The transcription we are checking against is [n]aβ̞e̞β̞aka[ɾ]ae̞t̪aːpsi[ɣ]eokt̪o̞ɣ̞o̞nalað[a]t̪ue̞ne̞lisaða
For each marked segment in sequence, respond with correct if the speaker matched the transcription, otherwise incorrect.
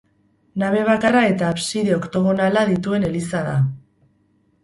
correct, incorrect: r, incorrect: ð, incorrect: i

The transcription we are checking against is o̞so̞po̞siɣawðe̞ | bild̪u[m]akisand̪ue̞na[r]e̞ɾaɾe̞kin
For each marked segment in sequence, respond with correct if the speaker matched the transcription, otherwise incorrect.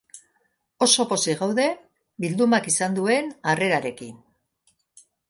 correct, correct

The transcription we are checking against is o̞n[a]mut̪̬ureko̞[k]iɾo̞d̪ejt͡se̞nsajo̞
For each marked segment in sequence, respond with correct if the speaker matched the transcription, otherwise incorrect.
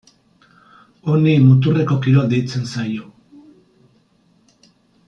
incorrect: i, correct

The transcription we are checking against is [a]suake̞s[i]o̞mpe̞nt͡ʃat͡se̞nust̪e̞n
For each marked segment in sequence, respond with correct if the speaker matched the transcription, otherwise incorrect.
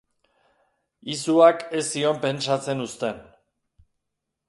incorrect: i, correct

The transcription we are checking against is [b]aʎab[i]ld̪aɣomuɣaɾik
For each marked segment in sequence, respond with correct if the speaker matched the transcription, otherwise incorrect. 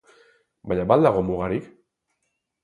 correct, incorrect: a

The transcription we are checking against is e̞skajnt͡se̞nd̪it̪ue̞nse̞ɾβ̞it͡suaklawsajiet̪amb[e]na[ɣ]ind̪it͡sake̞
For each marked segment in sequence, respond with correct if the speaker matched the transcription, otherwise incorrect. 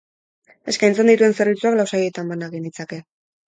incorrect: a, correct

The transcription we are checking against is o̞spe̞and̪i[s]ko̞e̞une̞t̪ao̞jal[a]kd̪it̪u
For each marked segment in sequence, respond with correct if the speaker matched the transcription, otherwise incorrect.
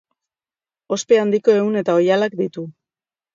incorrect: none, correct

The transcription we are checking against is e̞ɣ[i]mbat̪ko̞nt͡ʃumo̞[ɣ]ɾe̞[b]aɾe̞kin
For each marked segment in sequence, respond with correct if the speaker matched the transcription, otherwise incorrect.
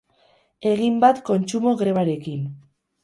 correct, correct, incorrect: β

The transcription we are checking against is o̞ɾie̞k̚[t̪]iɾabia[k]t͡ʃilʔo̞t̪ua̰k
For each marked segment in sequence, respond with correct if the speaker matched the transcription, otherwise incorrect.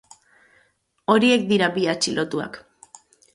incorrect: d̪, incorrect: none

